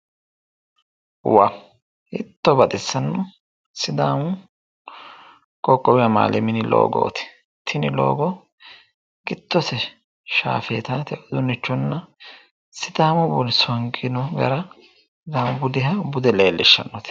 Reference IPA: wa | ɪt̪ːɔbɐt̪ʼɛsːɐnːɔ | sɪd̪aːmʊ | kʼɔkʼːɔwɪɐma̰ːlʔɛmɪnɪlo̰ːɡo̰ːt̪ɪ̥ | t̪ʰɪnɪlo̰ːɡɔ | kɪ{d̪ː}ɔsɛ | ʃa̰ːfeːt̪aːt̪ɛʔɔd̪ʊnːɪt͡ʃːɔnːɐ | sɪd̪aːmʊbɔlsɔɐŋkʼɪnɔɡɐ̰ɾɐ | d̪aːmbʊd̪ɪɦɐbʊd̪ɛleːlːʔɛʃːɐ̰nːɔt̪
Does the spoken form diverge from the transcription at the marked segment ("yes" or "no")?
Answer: yes